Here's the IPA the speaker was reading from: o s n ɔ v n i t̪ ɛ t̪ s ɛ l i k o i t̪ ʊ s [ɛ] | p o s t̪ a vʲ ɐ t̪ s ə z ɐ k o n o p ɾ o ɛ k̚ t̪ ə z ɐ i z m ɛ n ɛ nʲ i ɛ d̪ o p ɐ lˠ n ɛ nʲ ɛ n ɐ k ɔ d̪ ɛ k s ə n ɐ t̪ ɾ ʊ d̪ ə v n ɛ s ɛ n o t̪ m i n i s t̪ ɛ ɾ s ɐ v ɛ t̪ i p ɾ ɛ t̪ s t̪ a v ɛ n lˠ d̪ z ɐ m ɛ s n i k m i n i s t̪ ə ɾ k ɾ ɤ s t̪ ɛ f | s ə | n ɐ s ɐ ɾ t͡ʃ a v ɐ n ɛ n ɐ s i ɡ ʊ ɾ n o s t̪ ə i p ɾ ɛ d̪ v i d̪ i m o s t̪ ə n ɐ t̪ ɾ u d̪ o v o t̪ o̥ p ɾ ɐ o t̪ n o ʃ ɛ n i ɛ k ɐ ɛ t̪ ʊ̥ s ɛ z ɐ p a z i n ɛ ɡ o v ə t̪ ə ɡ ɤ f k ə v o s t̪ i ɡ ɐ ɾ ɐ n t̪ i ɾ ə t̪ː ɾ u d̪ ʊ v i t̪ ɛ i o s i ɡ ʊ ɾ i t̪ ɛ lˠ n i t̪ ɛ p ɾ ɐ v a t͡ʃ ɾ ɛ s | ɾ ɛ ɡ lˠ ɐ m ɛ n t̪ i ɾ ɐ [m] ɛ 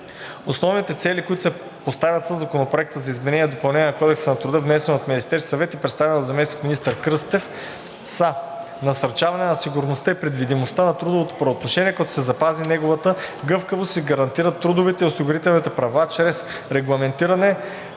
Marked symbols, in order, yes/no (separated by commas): yes, no